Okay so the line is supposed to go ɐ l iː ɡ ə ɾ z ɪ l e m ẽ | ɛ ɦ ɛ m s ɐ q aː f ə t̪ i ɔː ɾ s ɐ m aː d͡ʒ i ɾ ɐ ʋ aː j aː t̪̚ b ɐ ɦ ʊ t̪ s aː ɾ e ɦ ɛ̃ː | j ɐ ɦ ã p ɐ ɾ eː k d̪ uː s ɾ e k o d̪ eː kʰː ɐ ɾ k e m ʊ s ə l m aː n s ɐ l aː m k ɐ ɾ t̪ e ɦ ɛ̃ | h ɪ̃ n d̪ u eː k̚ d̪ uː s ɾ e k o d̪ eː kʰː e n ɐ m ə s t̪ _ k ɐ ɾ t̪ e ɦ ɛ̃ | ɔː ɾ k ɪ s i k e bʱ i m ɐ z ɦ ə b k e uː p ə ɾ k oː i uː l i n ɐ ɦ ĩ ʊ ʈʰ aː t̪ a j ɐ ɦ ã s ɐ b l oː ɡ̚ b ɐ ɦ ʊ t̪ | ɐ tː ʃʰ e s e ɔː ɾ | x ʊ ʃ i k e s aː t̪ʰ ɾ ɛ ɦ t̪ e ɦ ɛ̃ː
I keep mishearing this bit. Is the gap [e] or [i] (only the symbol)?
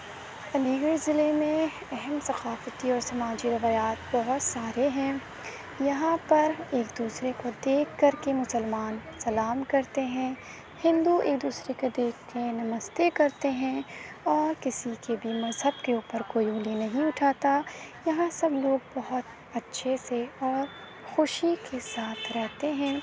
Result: e